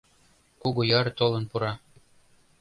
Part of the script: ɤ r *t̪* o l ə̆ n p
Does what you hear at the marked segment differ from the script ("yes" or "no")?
no